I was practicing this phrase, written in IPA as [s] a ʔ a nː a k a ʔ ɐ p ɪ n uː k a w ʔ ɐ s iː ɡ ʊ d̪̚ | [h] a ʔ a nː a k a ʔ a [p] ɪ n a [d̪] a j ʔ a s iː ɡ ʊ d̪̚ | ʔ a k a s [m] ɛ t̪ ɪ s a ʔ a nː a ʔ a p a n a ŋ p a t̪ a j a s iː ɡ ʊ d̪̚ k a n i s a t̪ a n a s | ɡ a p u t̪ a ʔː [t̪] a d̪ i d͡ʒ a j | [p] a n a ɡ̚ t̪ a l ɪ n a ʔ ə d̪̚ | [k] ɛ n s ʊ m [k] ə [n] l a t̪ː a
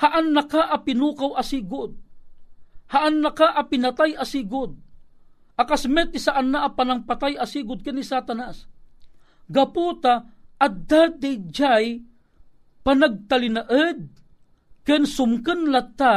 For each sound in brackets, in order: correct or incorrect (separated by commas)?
incorrect, correct, correct, incorrect, correct, incorrect, correct, correct, correct, correct